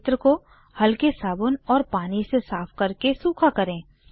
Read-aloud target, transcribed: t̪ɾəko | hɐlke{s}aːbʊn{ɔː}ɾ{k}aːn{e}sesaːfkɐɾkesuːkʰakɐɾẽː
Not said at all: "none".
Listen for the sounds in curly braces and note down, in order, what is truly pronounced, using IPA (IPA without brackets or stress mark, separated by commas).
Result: s, ɔː, p, i